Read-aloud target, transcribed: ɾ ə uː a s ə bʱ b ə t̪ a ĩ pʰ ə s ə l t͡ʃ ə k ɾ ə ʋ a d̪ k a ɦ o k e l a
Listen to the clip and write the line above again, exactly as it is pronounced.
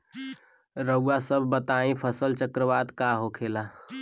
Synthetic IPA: ɾ ə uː a s ə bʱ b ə t̪ a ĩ pʰ ə s ə l t͡ʃ ə k ɾ ə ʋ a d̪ k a ɦ o kʰ e l a